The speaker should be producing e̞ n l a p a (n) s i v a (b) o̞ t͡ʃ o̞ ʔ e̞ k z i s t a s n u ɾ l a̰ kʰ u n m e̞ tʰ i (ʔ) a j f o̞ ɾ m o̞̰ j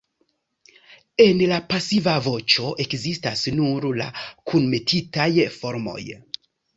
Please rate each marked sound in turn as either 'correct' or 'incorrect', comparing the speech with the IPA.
incorrect: none, incorrect: v, incorrect: t

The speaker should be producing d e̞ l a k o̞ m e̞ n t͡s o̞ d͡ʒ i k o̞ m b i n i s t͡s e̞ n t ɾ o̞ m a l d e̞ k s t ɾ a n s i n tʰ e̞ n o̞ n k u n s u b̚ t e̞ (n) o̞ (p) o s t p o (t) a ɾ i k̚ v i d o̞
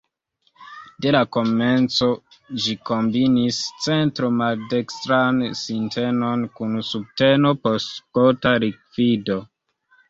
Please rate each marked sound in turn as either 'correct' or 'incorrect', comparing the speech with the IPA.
correct, correct, correct

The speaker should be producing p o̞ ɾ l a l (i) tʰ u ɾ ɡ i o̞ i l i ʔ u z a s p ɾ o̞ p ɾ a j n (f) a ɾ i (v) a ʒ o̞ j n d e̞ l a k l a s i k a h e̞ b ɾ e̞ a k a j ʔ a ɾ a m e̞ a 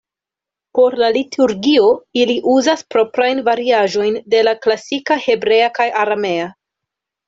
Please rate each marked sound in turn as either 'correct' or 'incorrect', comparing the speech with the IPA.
correct, incorrect: v, incorrect: none

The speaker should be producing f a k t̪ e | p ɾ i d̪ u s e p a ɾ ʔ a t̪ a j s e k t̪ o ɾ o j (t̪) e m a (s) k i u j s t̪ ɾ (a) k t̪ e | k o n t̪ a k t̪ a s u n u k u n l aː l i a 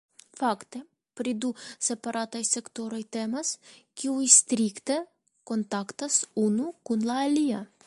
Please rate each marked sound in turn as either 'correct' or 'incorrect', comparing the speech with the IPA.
correct, correct, incorrect: i

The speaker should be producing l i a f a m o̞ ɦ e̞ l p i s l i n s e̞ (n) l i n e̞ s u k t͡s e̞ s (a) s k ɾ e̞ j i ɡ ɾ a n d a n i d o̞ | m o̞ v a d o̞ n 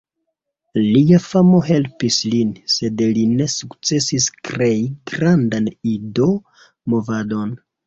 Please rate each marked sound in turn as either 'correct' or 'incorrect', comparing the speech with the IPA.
incorrect: d, incorrect: i

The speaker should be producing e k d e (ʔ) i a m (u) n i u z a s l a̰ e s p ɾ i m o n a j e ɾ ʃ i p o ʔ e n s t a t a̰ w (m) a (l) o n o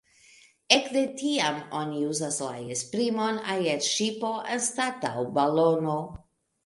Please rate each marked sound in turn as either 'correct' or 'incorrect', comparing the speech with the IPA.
incorrect: t, incorrect: o, incorrect: b, correct

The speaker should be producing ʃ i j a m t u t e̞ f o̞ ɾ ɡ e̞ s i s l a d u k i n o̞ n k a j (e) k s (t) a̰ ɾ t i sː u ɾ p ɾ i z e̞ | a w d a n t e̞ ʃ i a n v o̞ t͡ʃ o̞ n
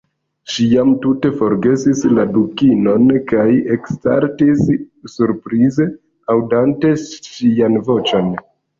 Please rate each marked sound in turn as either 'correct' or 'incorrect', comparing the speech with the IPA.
correct, correct

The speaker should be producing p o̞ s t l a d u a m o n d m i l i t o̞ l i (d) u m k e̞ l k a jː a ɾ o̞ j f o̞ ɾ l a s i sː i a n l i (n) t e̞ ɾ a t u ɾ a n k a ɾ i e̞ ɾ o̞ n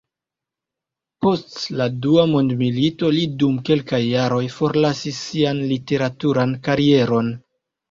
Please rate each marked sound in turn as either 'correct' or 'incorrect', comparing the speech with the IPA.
correct, incorrect: none

